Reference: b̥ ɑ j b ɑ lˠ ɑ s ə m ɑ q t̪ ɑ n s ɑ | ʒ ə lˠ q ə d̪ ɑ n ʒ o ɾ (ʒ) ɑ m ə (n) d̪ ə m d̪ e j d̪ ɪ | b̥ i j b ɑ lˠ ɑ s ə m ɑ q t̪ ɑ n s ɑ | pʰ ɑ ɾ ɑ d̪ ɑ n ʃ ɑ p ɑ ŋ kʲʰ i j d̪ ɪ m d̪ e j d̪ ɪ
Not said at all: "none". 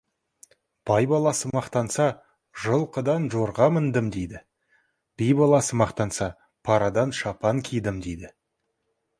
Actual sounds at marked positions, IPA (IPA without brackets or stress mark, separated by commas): ʁ, n